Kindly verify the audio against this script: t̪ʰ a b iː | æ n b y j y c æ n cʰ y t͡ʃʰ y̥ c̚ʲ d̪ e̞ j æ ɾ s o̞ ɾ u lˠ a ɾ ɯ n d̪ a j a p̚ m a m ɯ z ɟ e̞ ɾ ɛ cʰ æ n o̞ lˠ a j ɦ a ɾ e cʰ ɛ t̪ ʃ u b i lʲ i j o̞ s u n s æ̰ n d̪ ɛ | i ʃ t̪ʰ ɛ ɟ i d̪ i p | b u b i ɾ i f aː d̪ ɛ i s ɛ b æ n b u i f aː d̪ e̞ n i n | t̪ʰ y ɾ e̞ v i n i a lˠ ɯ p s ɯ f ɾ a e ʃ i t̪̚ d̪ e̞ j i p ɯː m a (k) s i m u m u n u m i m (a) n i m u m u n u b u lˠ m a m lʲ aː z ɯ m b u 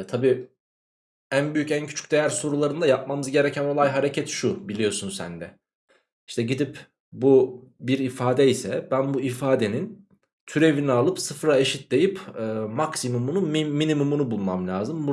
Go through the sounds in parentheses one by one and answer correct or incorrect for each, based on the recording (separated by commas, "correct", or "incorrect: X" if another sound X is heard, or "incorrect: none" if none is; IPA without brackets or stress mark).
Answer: correct, incorrect: i